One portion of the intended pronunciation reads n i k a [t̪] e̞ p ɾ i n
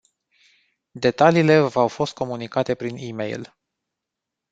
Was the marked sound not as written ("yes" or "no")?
no